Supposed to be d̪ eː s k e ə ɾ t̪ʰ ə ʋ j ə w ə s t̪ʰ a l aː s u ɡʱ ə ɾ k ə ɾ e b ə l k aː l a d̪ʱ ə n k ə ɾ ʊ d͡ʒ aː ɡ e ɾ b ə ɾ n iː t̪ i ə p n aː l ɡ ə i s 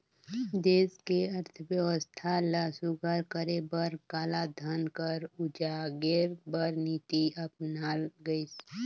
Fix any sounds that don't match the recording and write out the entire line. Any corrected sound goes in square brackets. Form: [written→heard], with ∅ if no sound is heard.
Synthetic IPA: d̪ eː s k e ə ɾ t̪ʰ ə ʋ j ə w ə s t̪ʰ a l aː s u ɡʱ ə ɾ k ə ɾ e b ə [l→ɾ] k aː l a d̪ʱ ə n k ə ɾ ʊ d͡ʒ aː ɡ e ɾ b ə ɾ n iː t̪ i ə p n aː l ɡ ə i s